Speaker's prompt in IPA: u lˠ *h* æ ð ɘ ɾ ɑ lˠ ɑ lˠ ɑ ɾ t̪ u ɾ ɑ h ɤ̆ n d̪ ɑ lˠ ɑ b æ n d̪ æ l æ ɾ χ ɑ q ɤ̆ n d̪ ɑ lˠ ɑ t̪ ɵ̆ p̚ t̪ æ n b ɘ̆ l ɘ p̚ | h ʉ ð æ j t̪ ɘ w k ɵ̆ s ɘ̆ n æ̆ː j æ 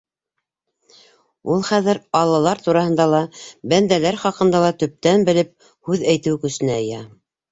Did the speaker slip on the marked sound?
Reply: yes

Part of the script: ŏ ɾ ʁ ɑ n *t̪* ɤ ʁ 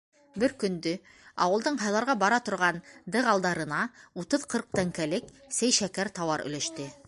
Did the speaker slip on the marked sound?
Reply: yes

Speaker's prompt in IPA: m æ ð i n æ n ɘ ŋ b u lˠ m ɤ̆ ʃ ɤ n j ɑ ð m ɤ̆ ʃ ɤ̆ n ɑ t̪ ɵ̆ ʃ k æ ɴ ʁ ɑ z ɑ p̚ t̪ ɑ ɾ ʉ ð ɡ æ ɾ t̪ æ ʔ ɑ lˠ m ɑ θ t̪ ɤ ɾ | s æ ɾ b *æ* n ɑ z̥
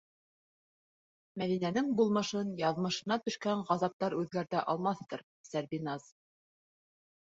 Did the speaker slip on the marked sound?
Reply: yes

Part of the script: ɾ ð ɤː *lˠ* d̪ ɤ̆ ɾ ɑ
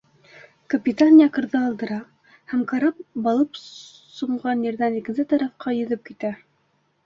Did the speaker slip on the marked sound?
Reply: no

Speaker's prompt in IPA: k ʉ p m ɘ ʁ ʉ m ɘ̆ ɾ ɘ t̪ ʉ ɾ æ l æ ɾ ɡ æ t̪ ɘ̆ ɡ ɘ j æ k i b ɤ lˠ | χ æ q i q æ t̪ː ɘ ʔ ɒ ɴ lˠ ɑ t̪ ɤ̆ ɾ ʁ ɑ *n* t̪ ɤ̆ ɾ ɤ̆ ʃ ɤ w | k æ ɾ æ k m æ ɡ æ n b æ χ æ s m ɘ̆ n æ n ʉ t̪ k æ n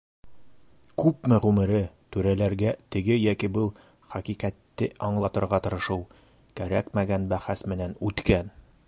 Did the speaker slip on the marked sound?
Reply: yes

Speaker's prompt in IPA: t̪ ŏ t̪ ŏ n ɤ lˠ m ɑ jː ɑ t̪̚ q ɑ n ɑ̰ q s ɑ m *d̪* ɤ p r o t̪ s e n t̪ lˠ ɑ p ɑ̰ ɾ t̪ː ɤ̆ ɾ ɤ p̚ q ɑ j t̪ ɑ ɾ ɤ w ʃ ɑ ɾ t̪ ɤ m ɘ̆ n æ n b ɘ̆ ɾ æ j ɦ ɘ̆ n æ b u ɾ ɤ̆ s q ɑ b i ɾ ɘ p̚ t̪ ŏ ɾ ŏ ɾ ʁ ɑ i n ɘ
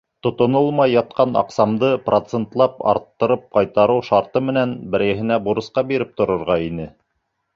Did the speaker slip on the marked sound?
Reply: no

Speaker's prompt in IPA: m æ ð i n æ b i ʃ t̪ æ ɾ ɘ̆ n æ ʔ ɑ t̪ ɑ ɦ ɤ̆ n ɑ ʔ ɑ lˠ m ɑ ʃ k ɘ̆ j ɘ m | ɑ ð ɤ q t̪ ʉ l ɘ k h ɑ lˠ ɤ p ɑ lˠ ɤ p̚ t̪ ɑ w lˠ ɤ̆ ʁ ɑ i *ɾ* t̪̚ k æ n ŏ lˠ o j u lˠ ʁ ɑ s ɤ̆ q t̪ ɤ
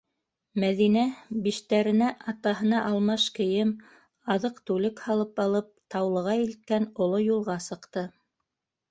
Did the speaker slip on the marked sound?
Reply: yes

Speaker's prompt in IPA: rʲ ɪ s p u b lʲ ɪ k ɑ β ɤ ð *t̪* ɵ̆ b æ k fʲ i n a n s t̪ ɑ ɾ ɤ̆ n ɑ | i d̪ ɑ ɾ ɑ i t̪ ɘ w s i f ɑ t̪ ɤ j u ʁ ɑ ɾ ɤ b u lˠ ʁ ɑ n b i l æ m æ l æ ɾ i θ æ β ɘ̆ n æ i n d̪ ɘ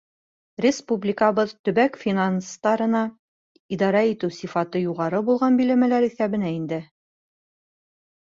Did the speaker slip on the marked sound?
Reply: no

